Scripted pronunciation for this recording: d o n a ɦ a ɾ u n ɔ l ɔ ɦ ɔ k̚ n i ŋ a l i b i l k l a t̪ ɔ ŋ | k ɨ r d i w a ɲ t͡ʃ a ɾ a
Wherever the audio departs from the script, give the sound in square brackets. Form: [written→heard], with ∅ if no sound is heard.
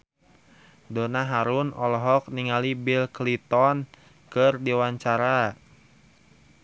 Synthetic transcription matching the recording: d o n a ɦ a ɾ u n ɔ l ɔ ɦ ɔ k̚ n i ŋ a l i b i l k l [a→i] t̪ ɔ [ŋ→n] | k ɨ r d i w a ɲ t͡ʃ a ɾ a